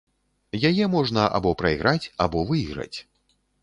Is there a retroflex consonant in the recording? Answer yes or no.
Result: yes